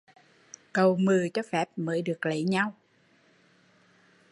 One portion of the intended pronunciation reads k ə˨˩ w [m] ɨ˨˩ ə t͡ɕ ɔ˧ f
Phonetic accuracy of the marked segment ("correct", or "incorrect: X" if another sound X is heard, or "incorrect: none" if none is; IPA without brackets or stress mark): correct